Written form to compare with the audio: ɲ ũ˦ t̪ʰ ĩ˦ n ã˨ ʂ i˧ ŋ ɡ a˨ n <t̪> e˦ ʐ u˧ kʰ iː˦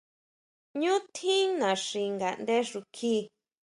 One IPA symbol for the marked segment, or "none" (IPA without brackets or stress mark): d̪